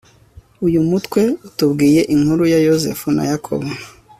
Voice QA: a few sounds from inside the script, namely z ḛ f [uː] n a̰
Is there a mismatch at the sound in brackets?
yes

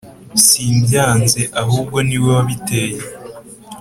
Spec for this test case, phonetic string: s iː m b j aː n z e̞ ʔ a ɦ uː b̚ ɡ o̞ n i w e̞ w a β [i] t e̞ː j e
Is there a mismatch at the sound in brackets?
no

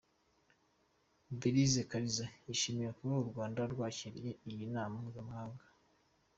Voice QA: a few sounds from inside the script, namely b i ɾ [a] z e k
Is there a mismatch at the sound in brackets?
yes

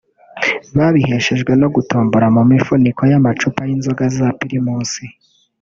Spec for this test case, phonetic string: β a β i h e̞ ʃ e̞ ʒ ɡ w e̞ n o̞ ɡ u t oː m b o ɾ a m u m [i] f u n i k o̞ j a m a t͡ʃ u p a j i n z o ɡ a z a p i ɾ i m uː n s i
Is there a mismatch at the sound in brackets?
no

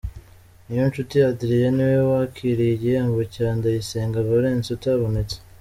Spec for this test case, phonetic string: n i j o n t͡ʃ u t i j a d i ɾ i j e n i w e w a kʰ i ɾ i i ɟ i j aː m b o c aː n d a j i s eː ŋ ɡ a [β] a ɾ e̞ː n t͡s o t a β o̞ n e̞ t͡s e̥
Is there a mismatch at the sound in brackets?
no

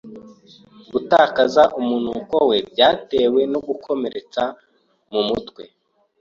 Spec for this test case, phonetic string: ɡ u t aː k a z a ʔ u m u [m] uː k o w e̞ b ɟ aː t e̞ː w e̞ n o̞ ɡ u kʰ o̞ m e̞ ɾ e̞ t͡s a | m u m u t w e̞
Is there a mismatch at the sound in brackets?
yes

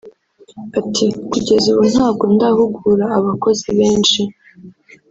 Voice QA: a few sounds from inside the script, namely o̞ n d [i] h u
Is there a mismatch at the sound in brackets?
yes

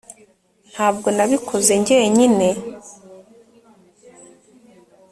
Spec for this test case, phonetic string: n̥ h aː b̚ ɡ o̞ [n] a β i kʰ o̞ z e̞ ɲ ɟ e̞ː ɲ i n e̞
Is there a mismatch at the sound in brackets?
no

